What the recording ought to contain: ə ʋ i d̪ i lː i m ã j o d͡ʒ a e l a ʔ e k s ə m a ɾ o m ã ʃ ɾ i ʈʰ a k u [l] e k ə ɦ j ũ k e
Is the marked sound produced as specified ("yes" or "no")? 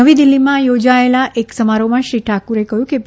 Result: no